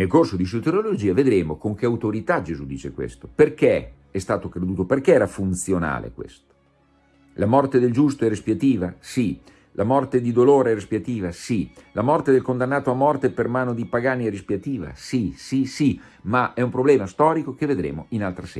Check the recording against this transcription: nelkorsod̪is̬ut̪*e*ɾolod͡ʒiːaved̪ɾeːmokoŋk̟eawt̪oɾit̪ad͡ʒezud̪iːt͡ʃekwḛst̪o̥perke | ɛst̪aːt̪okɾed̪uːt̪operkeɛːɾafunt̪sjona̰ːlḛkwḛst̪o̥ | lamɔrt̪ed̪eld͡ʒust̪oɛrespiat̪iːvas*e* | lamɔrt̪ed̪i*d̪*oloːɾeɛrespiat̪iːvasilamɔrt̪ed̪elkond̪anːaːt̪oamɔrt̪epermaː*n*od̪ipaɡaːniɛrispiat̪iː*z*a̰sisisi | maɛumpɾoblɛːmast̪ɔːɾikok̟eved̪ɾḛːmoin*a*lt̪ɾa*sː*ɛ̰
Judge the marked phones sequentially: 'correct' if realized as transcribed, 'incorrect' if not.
correct, incorrect, correct, correct, incorrect, correct, incorrect

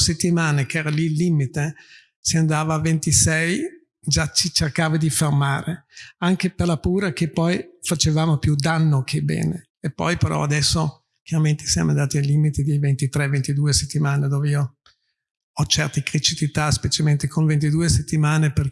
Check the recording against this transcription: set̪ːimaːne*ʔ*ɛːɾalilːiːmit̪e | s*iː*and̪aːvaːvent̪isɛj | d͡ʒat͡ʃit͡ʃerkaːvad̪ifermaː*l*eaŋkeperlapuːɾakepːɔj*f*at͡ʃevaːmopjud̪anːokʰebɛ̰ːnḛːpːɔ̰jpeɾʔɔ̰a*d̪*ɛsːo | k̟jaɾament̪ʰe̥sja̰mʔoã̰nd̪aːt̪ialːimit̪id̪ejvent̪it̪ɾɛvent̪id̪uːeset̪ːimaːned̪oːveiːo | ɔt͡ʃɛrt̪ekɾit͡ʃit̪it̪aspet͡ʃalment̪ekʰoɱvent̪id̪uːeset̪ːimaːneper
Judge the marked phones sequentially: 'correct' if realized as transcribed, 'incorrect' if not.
incorrect, incorrect, incorrect, correct, correct

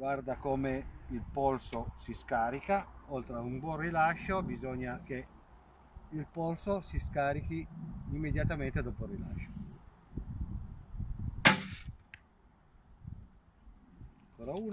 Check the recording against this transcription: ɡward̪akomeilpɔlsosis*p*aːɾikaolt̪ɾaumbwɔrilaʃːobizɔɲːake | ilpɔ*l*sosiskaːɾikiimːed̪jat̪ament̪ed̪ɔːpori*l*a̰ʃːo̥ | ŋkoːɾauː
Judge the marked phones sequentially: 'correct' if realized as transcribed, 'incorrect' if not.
incorrect, correct, correct

